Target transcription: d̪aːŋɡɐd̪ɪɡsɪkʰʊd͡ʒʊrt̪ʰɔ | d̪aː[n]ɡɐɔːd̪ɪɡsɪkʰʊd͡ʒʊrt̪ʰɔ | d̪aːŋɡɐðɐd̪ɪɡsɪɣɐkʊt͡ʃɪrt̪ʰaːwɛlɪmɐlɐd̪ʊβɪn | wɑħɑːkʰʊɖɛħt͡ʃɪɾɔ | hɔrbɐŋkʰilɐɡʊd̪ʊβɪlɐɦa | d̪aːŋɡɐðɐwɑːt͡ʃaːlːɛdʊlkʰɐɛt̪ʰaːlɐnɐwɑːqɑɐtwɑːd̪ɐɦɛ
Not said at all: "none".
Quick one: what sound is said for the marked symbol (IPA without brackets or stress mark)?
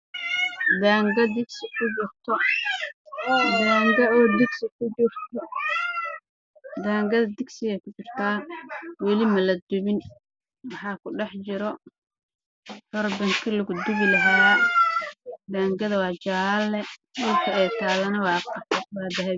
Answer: ŋ